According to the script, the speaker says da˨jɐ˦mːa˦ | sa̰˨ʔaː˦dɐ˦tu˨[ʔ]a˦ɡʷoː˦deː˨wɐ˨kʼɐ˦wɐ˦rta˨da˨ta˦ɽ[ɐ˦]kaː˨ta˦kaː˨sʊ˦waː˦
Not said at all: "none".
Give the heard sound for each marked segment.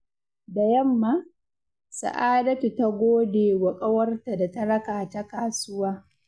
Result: t, ɐ˦

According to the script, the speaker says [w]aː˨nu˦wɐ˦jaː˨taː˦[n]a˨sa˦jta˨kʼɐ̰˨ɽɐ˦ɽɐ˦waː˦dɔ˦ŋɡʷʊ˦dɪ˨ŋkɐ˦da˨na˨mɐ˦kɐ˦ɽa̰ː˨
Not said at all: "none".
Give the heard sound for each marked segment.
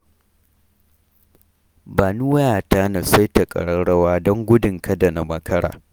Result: b, n

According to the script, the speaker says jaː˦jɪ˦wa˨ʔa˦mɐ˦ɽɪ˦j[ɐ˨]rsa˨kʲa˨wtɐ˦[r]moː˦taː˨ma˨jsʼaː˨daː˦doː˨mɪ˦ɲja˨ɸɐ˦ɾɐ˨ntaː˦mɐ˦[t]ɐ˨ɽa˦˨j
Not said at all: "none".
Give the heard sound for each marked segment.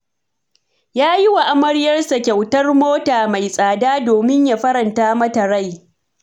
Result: ɐ˦, r, t

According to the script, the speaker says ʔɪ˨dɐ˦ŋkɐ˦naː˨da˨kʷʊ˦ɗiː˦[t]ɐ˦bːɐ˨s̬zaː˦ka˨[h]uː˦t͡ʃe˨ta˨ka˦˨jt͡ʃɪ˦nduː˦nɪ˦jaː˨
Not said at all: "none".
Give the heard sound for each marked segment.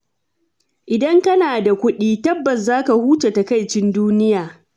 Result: t, h

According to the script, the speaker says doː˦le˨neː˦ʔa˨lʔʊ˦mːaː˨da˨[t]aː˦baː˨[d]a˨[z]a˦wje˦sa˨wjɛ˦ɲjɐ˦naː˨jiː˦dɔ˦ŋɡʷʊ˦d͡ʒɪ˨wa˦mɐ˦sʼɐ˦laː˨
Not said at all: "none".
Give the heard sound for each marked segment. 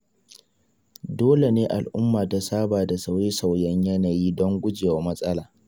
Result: s, d, s

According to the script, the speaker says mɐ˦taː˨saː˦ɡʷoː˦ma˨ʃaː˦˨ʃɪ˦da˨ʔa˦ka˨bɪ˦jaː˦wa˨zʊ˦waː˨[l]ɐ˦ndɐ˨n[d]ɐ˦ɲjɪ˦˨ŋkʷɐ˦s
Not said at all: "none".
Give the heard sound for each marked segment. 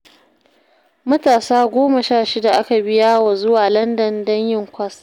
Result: l, d

